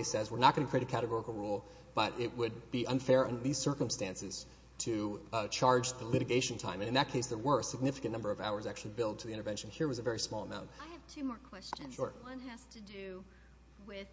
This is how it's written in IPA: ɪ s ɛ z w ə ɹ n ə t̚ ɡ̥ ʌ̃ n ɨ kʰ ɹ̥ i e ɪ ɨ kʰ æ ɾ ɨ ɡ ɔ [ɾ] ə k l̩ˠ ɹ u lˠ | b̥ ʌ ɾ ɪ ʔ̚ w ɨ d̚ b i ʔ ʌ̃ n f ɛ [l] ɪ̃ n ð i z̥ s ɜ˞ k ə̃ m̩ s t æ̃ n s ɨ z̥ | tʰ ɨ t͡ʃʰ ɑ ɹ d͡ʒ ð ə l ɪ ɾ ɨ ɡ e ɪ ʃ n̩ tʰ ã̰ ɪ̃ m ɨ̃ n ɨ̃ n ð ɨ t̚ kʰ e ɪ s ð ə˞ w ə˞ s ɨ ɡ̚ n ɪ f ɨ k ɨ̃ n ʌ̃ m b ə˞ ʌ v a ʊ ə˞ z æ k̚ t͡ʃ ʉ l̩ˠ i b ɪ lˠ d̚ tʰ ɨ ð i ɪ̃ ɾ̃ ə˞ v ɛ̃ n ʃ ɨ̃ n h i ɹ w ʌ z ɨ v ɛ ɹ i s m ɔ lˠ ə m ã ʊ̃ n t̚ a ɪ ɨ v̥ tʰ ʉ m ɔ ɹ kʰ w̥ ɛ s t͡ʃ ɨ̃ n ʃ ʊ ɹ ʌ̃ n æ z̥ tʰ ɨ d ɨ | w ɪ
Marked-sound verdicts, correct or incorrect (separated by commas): incorrect, incorrect